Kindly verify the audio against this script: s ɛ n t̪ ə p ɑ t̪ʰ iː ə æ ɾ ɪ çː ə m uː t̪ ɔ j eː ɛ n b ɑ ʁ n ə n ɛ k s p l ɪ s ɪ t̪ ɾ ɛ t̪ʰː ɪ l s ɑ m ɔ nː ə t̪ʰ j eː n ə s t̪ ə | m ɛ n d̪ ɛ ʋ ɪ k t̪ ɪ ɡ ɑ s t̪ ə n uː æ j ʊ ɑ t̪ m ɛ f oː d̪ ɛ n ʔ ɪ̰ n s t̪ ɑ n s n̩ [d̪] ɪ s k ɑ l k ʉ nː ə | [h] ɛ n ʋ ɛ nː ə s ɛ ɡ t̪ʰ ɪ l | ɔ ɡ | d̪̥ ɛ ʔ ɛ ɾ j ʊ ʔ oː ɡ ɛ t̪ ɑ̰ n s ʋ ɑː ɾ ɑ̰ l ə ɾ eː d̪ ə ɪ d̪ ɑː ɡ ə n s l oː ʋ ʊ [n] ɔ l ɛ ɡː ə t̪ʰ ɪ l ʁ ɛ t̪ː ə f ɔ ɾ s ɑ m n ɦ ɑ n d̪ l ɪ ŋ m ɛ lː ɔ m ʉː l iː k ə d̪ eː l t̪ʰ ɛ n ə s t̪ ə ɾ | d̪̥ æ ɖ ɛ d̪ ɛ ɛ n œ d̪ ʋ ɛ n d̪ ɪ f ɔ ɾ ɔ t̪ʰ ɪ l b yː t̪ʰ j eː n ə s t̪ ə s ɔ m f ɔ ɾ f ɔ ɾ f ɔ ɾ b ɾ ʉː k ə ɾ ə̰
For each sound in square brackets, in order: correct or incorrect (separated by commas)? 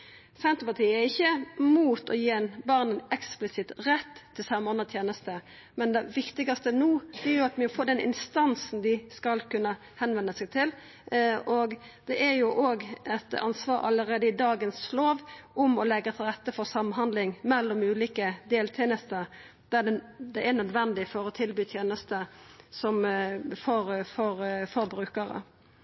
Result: correct, correct, incorrect